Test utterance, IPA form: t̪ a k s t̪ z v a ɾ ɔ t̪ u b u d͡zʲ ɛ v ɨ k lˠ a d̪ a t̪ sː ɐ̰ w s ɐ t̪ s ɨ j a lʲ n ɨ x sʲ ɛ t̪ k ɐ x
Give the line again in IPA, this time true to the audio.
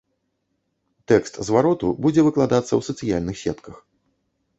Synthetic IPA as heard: t̪ ɛ k s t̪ z v a ɾ ɔ t̪ u b u d͡zʲ ɛ v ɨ k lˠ a d̪ a t̪ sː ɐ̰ w s ɐ t̪ s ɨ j a lʲ n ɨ x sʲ ɛ t̪ k ɐ x